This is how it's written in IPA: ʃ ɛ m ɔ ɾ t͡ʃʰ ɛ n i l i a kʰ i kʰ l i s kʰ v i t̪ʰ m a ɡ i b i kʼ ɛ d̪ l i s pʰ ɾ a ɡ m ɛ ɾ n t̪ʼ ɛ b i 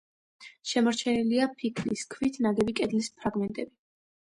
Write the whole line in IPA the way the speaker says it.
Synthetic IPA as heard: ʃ ɛ m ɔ ɾ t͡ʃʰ ɛ n i l i a pʰ i kʰ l i s kʰ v i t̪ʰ n a ɡ ɛ b i kʼ ɛ d̪ l i s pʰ ɾ a ɡ m ɛ n t̪ʼ ɛ b i